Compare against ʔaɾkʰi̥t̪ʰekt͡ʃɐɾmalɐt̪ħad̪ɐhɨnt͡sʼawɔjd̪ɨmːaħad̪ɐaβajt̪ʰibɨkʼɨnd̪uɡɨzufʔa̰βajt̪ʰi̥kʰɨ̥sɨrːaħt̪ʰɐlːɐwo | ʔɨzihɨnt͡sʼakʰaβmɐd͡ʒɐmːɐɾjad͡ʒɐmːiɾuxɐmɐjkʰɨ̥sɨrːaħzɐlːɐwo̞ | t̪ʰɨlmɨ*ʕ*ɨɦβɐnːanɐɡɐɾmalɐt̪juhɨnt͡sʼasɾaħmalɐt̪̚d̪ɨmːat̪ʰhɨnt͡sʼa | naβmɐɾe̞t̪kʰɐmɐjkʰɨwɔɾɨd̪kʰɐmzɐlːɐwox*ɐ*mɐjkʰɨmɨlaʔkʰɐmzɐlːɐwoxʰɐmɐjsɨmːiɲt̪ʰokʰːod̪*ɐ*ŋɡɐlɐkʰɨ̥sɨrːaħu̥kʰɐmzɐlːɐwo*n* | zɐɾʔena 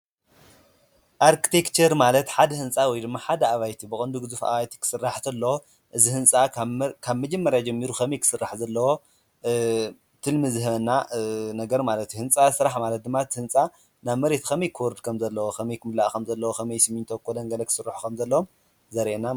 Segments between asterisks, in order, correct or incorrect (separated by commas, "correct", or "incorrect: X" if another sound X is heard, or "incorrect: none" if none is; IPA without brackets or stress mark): incorrect: z, correct, correct, incorrect: m